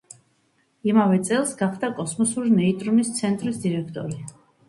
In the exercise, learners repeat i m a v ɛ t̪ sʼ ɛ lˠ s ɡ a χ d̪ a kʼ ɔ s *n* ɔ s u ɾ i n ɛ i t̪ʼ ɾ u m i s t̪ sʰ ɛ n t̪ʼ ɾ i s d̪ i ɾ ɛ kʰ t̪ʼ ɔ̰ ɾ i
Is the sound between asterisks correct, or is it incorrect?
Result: incorrect